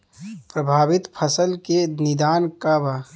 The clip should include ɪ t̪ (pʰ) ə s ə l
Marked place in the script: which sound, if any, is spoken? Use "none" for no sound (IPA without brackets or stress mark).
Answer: pʰ